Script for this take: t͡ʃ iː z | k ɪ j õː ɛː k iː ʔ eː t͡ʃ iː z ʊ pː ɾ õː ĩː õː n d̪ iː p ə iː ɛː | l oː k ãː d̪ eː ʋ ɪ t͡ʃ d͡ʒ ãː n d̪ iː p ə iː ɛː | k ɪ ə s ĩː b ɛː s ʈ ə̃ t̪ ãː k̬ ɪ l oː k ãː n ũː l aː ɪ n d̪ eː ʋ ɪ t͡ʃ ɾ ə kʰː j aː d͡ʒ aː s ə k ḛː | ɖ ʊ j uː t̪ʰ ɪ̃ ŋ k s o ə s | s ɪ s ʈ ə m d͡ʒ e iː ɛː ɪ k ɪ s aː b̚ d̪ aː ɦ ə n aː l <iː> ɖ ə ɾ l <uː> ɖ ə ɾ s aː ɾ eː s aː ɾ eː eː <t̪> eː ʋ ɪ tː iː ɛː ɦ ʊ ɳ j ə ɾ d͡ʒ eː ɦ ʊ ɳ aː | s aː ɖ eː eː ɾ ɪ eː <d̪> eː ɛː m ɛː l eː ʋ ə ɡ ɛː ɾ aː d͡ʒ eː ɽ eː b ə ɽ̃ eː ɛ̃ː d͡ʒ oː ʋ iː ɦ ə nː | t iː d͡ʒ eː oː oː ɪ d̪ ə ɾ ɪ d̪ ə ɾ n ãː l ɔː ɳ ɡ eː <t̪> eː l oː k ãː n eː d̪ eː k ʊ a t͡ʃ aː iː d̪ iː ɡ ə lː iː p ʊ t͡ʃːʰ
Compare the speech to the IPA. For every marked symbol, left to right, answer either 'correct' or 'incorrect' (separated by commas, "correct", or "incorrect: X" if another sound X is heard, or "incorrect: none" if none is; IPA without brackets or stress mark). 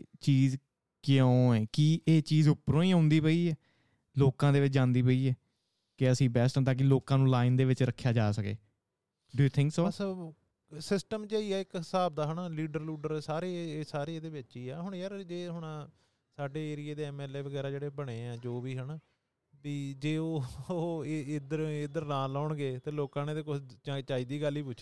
correct, correct, incorrect: d̪, correct, correct